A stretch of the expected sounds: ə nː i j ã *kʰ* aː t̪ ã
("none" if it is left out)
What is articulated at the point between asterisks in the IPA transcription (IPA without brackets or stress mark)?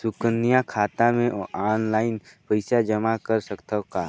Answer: kʰ